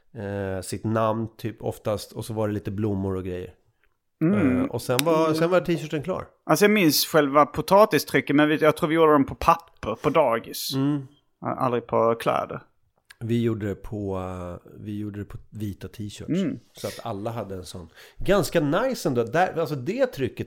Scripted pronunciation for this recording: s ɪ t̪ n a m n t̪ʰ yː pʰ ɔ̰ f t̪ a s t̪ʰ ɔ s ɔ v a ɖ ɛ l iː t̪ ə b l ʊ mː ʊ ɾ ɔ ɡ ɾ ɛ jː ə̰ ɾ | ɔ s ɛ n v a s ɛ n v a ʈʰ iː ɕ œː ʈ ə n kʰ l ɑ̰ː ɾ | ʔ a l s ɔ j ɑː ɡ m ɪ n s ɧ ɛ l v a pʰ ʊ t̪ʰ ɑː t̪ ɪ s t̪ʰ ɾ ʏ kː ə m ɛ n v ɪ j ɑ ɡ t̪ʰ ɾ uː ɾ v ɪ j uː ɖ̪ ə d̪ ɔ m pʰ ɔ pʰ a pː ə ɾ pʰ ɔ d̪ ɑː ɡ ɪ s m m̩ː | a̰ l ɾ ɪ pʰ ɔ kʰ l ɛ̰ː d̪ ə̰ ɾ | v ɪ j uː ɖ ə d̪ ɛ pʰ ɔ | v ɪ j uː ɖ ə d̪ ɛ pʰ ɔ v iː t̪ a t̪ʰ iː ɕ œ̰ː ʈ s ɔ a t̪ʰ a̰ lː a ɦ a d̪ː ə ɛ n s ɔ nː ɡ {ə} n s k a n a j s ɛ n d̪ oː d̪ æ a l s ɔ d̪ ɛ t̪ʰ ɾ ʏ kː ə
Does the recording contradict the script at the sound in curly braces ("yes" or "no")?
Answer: yes